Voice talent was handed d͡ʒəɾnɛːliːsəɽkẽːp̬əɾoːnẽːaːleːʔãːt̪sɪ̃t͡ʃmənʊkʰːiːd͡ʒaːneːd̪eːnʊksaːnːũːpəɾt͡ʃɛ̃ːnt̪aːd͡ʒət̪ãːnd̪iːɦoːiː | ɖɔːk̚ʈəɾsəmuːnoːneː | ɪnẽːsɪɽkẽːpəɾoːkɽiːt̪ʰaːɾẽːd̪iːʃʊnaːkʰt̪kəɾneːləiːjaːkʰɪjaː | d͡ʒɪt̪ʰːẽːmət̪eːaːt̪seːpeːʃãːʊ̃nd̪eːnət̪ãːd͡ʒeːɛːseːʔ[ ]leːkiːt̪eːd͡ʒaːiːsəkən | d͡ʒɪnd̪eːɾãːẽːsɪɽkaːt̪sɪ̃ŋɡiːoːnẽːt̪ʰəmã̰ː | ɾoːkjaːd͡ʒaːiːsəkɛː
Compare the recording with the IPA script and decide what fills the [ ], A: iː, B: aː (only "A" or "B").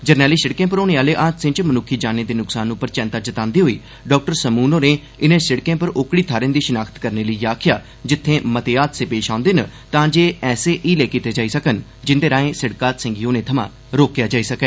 A